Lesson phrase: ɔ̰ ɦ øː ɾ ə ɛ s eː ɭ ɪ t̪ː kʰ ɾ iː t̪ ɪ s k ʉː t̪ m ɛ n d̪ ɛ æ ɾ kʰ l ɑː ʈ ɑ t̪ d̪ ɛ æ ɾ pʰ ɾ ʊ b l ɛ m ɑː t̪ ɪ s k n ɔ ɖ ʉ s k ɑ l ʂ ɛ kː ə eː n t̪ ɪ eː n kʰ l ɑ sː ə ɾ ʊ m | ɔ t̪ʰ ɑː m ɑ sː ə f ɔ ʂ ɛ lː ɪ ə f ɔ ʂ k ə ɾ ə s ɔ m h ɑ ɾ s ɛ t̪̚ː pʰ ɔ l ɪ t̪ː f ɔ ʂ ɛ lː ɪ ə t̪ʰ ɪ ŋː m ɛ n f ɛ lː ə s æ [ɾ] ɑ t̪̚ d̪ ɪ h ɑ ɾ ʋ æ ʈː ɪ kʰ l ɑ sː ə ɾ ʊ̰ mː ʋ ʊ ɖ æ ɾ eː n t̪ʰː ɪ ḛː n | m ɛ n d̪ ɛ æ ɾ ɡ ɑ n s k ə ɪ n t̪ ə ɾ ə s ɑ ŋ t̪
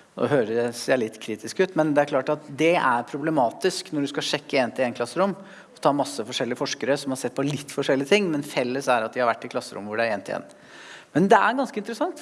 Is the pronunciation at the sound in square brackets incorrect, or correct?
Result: correct